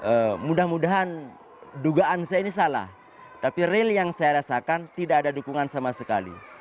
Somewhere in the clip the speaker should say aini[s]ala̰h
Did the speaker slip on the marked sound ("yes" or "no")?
no